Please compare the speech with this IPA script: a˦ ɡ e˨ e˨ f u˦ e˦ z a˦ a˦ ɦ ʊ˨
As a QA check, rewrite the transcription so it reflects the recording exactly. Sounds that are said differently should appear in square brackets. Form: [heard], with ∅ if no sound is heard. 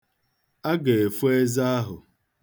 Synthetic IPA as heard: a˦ ɡ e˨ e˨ f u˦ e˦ z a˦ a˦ ɦ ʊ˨